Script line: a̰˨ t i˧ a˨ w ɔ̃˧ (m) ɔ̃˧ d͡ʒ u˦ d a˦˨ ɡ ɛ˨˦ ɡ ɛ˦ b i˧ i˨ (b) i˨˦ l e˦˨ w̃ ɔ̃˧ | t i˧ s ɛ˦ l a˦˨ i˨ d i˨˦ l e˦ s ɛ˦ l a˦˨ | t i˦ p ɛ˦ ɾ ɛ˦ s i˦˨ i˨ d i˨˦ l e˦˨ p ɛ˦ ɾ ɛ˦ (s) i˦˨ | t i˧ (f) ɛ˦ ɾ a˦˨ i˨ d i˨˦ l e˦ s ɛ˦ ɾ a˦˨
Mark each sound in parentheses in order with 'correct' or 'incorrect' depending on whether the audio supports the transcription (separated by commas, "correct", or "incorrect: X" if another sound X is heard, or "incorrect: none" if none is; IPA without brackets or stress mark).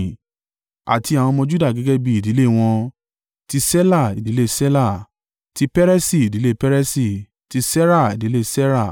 correct, incorrect: d, correct, incorrect: s